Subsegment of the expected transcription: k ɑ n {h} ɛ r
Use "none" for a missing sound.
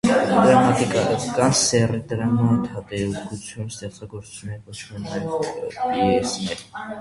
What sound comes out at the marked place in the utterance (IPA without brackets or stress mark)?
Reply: s